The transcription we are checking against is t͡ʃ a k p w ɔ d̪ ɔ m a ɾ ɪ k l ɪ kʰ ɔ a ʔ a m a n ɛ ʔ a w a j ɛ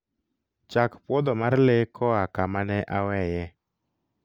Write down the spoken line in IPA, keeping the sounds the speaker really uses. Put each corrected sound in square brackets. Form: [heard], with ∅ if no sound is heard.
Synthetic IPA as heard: t͡ʃ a k p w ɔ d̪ ɔ m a ɾ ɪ [∅] l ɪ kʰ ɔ a [k] a m a n ɛ ʔ a w [ɛ] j ɛ